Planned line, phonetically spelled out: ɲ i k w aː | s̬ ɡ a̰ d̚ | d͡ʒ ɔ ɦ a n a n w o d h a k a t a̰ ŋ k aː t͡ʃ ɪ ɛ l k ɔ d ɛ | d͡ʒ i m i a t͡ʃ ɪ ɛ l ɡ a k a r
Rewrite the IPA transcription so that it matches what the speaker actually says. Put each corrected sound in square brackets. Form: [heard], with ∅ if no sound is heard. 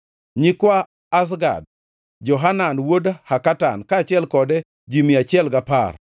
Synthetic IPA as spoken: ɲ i k w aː | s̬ ɡ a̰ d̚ | d͡ʒ ɔ ɦ a n a n w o d h a k a t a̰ [n] k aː t͡ʃ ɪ ɛ l k ɔ d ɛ | d͡ʒ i m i a t͡ʃ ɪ ɛ l ɡ a [p] a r

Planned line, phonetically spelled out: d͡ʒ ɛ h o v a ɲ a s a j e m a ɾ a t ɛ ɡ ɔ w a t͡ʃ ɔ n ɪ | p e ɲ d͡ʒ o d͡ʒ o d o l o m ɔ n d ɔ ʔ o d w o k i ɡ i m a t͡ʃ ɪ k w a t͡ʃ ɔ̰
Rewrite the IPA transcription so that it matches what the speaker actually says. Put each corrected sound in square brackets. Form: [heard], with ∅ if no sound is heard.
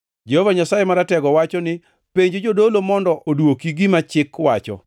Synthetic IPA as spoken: d͡ʒ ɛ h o v a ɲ a s a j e m a ɾ a t ɛ ɡ ɔ w a t͡ʃ ɔ n ɪ | p e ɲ d͡ʒ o d͡ʒ o d o l o m ɔ n d ɔ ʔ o d w o k i ɡ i m a t͡ʃ ɪ k w a t͡ʃ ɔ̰

